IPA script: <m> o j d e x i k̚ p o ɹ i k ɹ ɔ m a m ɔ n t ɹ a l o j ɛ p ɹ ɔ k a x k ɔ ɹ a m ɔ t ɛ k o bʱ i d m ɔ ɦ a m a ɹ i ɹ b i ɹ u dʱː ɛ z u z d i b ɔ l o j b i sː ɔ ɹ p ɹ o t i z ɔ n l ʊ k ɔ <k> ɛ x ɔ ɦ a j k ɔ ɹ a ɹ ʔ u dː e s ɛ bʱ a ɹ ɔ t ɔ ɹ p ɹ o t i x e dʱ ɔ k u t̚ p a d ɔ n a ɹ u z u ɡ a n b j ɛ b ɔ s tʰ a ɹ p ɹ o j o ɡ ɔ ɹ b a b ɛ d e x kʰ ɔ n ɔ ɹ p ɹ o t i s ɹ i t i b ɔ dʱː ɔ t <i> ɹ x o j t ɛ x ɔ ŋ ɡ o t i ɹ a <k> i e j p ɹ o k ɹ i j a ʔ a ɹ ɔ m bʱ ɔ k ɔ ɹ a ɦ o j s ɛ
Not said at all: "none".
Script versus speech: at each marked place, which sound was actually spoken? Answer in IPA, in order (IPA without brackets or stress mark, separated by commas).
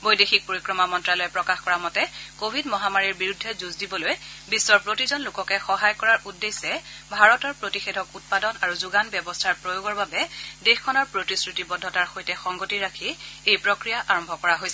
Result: b, k, a, kʰ